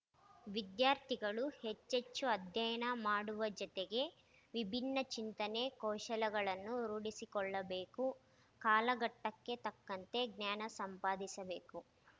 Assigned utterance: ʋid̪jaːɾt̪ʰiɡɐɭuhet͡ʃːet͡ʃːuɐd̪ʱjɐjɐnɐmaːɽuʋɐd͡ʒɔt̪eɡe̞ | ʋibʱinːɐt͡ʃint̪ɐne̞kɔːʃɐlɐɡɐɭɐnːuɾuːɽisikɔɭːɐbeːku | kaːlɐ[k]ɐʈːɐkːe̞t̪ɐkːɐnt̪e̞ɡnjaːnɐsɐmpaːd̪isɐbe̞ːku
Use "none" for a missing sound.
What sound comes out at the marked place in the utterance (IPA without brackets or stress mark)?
ɡ